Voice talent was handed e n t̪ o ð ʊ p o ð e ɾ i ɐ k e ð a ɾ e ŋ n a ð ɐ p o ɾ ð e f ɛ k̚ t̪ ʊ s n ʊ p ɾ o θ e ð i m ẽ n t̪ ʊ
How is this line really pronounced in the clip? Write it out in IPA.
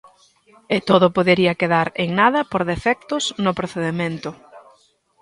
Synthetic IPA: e t̪ o ð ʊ p o ð e ɾ i ɐ k e ð a ɾ e ŋ n a ð ɐ p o ɾ ð e f ɛ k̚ t̪ ʊ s n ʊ p ɾ o θ e ð e m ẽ n t̪ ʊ